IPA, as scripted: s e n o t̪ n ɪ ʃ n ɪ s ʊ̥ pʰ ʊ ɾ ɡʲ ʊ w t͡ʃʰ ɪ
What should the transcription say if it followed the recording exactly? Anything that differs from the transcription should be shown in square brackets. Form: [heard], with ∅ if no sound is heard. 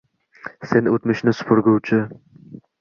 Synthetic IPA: s e n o t̪ [m] ɪ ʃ n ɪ s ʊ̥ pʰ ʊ ɾ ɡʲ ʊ w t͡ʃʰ ɪ